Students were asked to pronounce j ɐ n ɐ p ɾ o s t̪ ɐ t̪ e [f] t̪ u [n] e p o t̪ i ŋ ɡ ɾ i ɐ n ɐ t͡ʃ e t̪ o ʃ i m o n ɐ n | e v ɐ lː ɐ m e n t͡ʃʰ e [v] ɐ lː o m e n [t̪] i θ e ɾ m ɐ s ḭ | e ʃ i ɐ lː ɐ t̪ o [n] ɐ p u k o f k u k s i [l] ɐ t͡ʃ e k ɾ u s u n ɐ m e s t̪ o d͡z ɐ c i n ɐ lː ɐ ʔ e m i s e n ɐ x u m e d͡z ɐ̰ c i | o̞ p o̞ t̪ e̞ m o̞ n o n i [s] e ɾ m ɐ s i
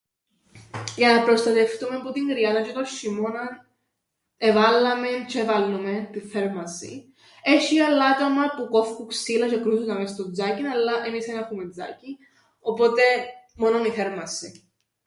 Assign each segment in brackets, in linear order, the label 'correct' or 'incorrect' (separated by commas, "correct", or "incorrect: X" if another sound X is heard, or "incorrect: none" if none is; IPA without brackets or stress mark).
correct, incorrect: m, correct, correct, incorrect: m, correct, incorrect: θ